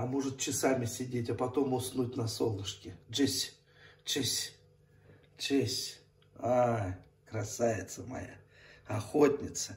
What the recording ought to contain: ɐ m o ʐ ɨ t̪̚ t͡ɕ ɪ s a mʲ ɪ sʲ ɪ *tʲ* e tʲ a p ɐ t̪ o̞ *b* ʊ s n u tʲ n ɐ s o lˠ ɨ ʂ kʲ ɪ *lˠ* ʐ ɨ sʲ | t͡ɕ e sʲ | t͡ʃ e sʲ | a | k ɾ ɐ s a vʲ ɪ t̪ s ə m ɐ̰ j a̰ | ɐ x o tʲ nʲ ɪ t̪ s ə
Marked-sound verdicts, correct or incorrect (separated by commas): incorrect, incorrect, incorrect